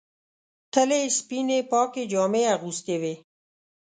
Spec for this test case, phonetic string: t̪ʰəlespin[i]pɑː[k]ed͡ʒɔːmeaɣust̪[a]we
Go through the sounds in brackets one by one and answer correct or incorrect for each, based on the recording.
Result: incorrect, correct, incorrect

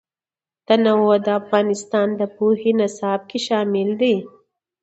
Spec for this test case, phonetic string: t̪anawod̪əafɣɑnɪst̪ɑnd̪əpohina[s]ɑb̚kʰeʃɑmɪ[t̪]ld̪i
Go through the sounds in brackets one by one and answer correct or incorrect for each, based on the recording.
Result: correct, incorrect

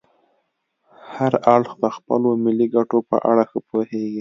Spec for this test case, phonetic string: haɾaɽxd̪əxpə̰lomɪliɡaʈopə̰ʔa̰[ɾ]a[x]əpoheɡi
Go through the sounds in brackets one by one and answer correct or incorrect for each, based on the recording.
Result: incorrect, correct

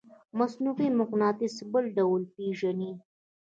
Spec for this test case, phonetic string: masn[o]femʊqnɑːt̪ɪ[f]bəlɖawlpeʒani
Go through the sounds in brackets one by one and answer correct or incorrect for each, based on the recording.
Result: incorrect, incorrect

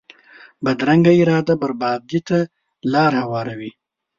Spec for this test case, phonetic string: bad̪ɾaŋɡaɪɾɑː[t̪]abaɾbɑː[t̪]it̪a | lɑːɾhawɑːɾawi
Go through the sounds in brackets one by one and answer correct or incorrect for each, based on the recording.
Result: incorrect, incorrect

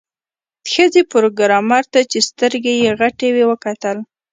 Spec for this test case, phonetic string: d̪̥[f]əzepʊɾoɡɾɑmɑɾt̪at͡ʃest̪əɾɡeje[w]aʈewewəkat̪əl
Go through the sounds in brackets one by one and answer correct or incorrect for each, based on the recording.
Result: incorrect, incorrect

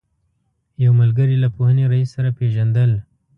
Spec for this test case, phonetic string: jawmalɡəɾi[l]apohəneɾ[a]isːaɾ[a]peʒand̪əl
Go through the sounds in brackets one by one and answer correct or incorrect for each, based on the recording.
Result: correct, correct, correct

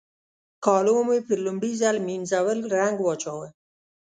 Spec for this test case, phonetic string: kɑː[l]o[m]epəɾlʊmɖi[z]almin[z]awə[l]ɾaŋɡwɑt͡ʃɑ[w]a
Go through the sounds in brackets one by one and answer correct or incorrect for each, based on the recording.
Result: correct, correct, correct, correct, correct, correct

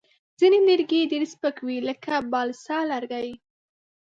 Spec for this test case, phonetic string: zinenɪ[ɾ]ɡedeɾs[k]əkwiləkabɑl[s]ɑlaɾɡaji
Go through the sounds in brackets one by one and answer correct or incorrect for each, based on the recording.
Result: correct, incorrect, correct

